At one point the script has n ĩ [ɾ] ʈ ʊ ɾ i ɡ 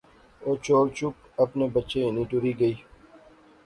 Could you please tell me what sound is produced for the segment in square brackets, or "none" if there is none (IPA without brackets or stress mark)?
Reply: none